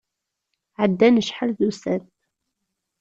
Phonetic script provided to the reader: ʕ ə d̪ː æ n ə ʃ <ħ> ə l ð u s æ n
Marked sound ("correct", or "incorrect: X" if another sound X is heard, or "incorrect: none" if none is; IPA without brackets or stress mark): correct